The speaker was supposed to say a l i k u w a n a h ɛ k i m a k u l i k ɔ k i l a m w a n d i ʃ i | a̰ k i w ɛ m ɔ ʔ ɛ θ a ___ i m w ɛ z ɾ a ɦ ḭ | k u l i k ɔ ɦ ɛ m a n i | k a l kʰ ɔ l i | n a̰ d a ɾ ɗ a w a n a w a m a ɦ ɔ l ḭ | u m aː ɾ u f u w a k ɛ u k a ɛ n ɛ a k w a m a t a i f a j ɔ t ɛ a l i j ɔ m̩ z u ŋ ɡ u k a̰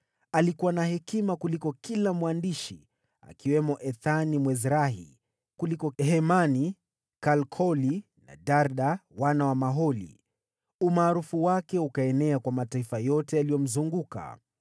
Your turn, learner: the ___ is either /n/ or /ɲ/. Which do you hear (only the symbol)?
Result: n